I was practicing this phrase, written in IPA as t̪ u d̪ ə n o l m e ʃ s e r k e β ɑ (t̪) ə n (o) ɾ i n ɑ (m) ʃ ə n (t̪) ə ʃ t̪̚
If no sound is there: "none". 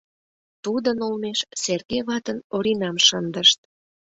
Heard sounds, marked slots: t̪, o, m, d̪

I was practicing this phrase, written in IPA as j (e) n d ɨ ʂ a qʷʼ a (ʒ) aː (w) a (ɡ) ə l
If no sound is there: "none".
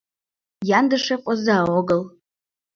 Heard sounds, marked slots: a, z, w, ɡ

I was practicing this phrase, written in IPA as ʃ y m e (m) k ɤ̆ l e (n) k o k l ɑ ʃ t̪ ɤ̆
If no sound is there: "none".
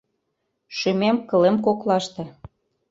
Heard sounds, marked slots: m, m

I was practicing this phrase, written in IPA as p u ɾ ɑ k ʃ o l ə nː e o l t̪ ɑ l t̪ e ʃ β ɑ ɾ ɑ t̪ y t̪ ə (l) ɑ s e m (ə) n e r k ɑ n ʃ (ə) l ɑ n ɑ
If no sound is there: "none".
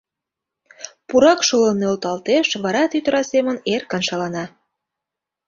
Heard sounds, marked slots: ɾ, ə, ɑ

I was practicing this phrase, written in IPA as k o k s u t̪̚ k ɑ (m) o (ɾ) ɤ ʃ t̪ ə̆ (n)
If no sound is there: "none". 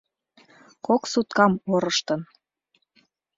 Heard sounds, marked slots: m, ɾ, n

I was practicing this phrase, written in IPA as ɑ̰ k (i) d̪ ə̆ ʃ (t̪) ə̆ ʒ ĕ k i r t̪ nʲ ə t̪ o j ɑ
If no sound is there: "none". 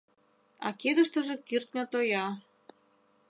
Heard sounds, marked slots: e, t̪

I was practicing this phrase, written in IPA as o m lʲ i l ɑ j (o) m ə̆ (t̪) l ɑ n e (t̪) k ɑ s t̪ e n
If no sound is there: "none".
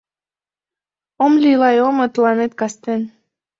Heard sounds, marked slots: o, t̪, t̪

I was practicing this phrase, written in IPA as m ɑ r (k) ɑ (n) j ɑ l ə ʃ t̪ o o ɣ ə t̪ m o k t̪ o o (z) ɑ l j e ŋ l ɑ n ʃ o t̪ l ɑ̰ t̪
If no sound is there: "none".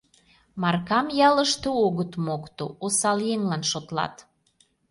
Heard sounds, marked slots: k, m, s

